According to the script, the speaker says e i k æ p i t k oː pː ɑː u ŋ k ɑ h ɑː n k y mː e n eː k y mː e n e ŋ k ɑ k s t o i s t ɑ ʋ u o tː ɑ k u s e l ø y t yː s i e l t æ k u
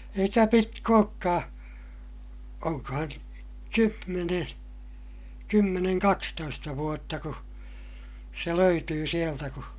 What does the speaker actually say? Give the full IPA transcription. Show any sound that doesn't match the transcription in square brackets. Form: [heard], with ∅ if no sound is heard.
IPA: e i k æ p i t k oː [kː] ɑː [o] ŋ k ɑ h [ɑ] n k y mː e n eː k y mː e n e ŋ k ɑ k s t o i s t ɑ ʋ u o tː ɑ k u s e l ø y t yː s i e l t æ k u